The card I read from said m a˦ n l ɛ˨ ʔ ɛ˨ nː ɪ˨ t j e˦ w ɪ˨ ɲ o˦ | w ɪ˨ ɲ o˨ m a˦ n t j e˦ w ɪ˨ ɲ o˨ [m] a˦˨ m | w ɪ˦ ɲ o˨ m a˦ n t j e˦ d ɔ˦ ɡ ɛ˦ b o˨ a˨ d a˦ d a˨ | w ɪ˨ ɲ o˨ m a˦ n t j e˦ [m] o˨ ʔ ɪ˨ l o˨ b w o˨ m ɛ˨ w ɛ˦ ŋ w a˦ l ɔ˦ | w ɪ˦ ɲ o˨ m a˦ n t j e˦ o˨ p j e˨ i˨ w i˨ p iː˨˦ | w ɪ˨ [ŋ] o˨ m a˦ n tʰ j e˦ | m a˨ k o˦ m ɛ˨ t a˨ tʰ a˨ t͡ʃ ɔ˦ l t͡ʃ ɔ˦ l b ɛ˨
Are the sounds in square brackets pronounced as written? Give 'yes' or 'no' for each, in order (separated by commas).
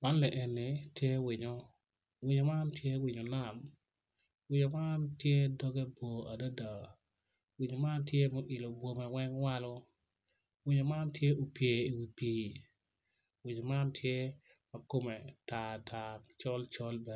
no, yes, no